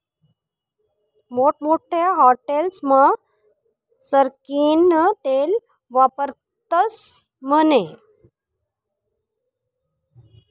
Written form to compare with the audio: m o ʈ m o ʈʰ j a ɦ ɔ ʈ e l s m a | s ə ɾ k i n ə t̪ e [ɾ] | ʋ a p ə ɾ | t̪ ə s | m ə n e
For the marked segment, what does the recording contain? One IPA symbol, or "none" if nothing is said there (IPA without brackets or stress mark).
l